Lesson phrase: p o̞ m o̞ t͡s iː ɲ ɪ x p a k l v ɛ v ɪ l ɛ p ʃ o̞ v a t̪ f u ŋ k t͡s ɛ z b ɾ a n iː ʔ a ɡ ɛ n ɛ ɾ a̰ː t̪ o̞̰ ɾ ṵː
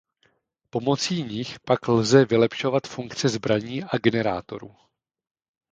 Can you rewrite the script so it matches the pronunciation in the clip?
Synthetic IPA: p o̞ m o̞ t͡s iː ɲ ɪ x p a k l z ɛ v ɪ l ɛ p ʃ o̞ v a t̪ f u ŋ k t͡s ɛ z b ɾ a ɲ iː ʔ a ɡ ɛ n ɛ ɾ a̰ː t̪ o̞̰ ɾ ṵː